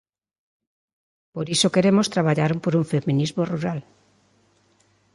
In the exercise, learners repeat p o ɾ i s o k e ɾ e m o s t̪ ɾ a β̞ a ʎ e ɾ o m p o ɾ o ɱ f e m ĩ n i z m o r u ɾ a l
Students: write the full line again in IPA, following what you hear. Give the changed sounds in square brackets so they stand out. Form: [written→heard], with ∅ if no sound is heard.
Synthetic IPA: p o ɾ i s o k e ɾ e m o s t̪ ɾ a β̞ a ʎ [e→a] ɾ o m p o ɾ [o→u] ɱ f e m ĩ n i z m o r u ɾ a l